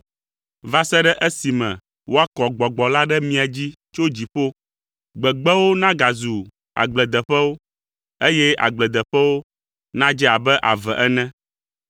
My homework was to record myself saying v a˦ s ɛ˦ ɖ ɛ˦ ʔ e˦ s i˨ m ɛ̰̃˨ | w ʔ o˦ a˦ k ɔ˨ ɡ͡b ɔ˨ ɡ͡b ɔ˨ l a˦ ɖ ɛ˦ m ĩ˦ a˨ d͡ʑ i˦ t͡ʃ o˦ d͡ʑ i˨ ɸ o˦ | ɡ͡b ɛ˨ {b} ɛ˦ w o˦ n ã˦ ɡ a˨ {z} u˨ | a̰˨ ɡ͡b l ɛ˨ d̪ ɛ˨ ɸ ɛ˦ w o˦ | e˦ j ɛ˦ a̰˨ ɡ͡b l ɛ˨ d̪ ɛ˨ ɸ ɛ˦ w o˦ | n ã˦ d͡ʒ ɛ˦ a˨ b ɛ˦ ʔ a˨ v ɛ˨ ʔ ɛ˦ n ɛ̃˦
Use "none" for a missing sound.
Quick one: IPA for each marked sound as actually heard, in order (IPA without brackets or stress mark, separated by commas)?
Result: ɡ͡b, z